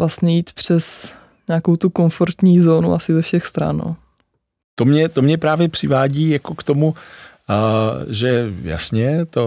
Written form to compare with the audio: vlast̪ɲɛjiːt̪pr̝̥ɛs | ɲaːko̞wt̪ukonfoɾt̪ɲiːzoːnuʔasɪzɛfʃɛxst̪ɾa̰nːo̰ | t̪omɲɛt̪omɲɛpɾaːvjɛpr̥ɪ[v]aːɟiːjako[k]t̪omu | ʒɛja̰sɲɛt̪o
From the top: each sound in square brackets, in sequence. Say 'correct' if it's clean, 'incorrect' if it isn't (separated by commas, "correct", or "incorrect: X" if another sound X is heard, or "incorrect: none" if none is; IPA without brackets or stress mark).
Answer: correct, correct